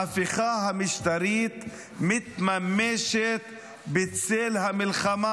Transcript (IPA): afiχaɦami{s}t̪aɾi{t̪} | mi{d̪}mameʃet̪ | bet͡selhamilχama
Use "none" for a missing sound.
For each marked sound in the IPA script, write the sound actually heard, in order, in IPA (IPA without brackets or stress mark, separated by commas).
ʃ, t̪, t̪